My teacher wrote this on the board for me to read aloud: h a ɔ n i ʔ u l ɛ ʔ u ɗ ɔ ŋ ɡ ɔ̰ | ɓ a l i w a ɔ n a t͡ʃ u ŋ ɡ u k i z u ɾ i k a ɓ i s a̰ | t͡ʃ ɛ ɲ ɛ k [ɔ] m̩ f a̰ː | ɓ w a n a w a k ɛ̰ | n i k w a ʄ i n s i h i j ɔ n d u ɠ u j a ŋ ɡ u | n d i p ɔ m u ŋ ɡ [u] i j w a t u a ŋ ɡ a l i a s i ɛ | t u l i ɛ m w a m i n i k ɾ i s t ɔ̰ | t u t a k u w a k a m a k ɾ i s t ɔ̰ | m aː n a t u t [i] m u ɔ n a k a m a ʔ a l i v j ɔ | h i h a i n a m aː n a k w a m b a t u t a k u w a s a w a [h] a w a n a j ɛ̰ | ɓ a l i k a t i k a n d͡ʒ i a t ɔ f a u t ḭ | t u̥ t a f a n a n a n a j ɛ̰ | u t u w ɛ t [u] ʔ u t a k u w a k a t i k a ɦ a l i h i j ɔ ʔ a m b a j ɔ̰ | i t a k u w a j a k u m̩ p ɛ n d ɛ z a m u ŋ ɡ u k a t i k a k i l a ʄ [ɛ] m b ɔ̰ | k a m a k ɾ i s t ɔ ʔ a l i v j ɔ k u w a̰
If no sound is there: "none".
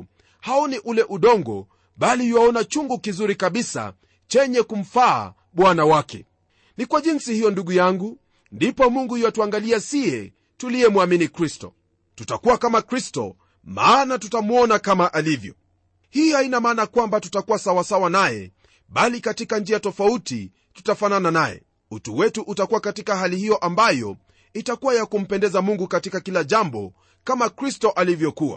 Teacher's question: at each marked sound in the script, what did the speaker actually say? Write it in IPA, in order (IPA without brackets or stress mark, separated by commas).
u, u, a, s, u, a